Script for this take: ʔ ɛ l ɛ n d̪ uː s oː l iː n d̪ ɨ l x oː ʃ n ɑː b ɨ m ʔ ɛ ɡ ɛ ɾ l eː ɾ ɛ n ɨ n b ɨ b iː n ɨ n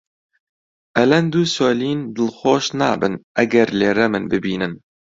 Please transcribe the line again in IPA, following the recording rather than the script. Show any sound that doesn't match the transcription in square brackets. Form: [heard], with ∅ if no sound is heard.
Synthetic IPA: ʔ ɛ l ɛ n d̪ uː s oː l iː n d̪ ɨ l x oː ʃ n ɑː b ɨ [n] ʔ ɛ ɡ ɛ ɾ l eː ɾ ɛ [m] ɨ n b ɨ b iː n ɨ n